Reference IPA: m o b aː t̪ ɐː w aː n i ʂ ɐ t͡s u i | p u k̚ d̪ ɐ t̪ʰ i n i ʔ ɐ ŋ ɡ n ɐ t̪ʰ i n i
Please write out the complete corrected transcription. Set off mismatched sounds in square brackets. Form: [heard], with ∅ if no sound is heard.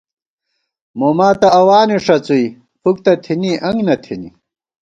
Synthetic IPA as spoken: m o [m] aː t̪ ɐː w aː n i ʂ ɐ t͡s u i | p u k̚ [t̪] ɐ t̪ʰ i n i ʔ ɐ ŋ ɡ n ɐ t̪ʰ i n i